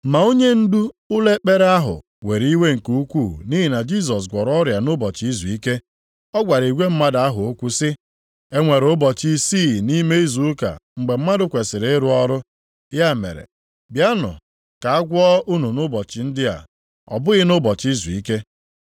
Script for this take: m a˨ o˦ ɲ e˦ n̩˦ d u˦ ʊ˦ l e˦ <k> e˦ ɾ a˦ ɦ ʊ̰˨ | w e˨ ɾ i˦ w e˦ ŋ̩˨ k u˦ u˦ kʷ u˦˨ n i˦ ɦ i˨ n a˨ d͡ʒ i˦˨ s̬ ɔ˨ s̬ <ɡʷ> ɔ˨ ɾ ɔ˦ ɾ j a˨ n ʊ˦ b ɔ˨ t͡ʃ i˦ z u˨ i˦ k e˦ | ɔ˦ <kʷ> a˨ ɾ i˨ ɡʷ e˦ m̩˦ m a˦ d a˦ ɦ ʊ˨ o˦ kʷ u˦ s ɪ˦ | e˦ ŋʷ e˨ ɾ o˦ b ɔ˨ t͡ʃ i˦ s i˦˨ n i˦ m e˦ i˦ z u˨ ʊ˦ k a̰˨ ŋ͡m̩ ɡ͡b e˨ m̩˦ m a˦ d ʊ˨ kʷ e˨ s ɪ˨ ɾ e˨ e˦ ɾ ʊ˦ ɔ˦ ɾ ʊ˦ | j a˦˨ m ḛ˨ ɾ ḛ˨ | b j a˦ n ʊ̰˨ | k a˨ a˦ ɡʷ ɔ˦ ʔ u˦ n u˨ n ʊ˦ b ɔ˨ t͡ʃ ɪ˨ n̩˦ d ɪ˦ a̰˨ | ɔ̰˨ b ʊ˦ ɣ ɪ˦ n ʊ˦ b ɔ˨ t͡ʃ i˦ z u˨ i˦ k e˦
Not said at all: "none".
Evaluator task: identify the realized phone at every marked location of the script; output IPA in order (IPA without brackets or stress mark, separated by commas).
k͡p, ɡʷ, ɡʷ